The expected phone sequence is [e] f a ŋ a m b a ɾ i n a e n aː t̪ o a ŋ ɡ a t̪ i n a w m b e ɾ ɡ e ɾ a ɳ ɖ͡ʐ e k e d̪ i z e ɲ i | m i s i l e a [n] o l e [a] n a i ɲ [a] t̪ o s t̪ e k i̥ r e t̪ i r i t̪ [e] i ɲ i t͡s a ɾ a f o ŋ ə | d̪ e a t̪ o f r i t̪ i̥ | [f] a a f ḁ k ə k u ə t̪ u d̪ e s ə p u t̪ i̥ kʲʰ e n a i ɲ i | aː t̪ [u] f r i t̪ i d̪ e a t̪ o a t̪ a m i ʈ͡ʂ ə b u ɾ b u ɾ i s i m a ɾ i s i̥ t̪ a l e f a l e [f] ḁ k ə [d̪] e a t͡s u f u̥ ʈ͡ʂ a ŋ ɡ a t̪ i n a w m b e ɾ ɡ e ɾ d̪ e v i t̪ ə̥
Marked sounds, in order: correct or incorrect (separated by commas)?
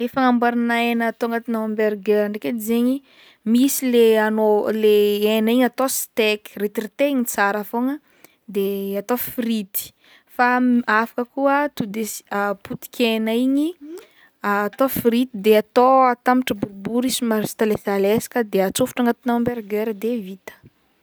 correct, correct, incorrect, correct, correct, correct, incorrect, incorrect, correct